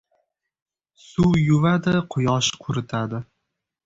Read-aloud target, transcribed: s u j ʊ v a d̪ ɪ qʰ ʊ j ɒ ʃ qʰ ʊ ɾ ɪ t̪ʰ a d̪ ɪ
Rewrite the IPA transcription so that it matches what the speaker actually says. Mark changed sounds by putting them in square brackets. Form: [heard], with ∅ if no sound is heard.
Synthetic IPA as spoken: s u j ʊ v a d̪ ɪ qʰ ʊ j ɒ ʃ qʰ ʊ ɾ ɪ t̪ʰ a d̪ ɪ